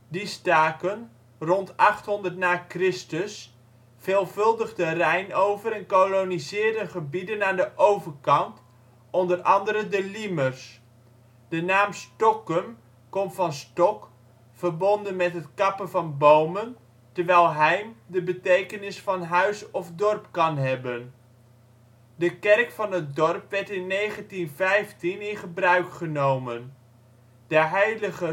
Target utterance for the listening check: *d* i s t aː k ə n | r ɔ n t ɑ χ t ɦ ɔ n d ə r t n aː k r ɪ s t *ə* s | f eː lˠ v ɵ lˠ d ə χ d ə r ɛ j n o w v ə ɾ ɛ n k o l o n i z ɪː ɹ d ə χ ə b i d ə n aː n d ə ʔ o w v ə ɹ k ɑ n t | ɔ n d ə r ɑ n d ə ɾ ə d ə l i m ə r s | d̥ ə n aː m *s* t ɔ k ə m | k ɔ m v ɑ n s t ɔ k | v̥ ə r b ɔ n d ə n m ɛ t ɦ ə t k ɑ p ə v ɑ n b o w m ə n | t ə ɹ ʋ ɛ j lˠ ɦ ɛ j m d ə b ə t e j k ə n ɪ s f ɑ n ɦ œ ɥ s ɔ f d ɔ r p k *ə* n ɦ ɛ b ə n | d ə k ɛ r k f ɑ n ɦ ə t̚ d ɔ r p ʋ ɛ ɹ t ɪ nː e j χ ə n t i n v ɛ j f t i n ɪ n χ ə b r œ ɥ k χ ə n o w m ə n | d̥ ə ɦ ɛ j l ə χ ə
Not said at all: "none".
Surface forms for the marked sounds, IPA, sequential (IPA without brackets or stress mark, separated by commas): d, ə, s, ɑ